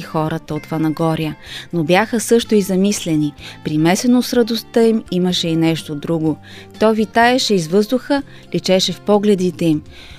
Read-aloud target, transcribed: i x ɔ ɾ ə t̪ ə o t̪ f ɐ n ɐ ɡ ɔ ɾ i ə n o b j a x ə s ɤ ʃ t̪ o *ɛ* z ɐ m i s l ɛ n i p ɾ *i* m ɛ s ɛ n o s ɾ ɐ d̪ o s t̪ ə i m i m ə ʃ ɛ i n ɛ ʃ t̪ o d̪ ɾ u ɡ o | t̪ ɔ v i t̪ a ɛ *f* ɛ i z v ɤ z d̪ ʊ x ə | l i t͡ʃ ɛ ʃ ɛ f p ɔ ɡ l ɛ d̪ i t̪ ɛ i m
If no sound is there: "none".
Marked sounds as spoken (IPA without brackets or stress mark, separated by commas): i, i, ʃ